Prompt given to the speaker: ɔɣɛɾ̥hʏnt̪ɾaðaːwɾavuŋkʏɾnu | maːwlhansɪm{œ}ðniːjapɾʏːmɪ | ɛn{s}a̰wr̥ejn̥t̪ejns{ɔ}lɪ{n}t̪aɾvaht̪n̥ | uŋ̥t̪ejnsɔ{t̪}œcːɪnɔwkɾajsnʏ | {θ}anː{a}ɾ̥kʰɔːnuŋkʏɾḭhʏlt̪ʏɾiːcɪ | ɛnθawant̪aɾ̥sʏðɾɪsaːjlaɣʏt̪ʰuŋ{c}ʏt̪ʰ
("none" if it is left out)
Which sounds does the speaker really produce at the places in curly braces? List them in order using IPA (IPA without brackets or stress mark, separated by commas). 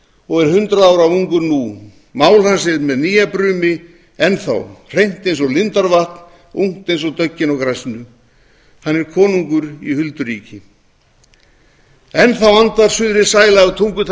ɛ, θ, ɔ, n, t̪, h, ɛ, k